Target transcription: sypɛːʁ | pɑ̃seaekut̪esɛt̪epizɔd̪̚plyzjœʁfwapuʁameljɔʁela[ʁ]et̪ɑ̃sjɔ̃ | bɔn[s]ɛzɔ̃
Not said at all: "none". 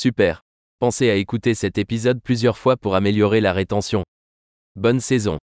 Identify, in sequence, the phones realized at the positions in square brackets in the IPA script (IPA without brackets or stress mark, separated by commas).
ʁ, s